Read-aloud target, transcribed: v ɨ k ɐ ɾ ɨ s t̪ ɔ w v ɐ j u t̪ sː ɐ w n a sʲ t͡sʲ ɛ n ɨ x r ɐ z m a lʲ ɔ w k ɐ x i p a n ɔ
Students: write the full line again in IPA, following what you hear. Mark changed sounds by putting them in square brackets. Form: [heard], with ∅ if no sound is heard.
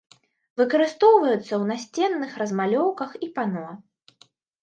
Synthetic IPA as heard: v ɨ k ɐ ɾ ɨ s t̪ ɔ w v ɐ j u t̪ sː ɐ w n a sʲ t͡sʲ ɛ [nː] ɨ x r ɐ z m a lʲ ɔ w k ɐ x i p a n ɔ